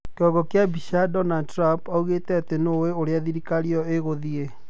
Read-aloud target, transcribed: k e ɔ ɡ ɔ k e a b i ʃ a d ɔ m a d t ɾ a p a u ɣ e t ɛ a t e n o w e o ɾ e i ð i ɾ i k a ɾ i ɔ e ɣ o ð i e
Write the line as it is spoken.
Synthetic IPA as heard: k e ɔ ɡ ɔ k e a b i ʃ a d ɔ n a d t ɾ a p a u ɣ e t ɛ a t e n o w e o ɾ e a ð i ɾ i k a ɾ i ɔ e ɣ o ð i e